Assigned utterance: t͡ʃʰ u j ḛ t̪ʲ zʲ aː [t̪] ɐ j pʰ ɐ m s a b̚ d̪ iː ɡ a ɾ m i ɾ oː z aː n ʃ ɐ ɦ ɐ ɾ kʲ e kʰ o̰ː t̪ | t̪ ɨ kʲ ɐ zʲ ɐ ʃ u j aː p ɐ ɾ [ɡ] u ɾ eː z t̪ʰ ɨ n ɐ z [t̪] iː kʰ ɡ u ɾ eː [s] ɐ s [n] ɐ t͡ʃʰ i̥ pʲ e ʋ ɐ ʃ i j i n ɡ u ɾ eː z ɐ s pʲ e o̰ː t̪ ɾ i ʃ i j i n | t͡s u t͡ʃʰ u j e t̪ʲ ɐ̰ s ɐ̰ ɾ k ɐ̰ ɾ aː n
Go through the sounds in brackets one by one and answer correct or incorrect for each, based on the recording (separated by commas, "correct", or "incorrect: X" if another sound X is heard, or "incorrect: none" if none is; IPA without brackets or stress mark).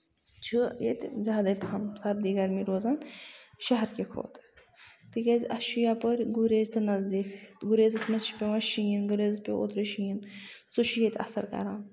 incorrect: d̪, correct, incorrect: d̪, incorrect: z, incorrect: m